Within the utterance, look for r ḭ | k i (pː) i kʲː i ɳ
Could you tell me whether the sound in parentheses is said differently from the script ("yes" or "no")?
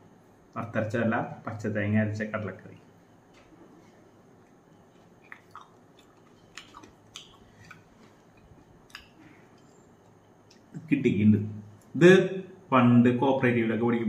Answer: yes